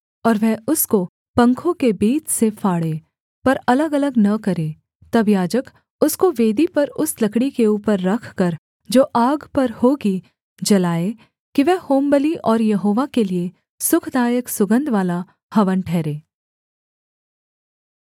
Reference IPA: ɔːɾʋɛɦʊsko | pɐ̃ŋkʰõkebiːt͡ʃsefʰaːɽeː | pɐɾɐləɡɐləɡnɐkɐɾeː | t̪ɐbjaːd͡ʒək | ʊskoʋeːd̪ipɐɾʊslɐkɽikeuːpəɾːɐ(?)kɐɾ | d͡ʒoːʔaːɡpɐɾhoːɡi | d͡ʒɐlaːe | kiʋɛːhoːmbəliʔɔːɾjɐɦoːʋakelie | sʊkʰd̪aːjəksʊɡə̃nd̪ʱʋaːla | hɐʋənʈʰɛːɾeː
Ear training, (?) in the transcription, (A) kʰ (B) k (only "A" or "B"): A